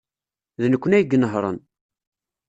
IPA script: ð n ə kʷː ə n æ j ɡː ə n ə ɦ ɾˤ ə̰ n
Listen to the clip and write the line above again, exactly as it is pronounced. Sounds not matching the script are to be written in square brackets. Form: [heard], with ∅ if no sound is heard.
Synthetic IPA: ð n ə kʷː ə n æ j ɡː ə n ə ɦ ɾˤ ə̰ n